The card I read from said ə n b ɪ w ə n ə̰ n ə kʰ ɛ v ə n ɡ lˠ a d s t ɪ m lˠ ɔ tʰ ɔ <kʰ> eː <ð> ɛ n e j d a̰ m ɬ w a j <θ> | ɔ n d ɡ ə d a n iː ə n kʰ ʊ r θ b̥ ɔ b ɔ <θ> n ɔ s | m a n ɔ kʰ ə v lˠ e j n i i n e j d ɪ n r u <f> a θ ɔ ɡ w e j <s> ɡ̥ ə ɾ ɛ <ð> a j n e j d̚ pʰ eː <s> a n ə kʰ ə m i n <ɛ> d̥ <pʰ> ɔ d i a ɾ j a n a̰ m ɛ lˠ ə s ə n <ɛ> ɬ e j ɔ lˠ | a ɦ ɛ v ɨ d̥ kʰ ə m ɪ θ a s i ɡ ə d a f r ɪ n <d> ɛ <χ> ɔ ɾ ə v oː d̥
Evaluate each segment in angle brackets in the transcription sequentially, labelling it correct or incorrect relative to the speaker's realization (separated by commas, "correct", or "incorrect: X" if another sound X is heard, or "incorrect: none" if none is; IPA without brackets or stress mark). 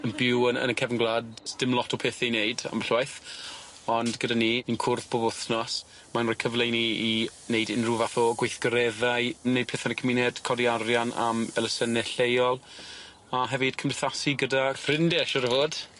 incorrect: pʰ, incorrect: θ, correct, correct, incorrect: v, incorrect: θ, correct, incorrect: θ, correct, incorrect: kʰ, correct, correct, incorrect: ʃ